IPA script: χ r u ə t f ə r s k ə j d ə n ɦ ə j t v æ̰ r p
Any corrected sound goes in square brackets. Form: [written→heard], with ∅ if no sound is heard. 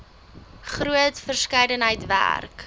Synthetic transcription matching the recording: χ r u ə t f ə r s k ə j d ə n ɦ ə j t v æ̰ r [p→k]